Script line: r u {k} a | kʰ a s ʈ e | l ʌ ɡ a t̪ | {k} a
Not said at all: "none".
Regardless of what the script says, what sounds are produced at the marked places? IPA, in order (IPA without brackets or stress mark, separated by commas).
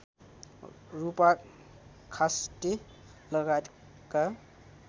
p, k